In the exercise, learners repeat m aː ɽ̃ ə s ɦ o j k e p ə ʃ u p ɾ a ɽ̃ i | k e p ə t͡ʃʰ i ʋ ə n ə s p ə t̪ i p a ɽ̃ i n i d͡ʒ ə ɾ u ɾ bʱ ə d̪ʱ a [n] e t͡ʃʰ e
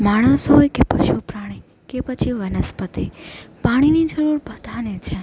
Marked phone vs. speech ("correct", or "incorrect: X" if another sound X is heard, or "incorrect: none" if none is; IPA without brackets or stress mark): correct